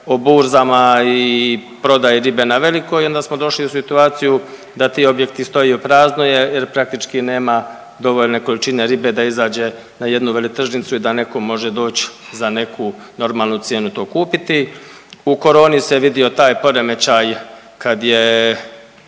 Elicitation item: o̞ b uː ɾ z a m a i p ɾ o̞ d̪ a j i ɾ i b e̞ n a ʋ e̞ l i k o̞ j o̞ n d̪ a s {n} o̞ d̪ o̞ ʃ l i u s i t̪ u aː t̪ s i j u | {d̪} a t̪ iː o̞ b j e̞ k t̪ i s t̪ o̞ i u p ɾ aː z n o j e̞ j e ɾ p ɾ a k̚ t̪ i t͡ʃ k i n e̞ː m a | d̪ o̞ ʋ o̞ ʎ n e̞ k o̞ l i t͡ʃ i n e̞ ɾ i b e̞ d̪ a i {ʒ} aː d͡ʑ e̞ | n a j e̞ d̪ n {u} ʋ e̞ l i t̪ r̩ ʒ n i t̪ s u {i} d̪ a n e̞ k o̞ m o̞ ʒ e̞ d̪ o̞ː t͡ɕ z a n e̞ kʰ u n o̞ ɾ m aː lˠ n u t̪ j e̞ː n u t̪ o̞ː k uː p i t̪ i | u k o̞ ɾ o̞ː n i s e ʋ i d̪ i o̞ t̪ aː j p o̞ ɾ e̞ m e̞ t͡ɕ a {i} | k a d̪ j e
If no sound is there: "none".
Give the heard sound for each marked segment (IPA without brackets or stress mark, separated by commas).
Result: m, d̪, z, u, i, j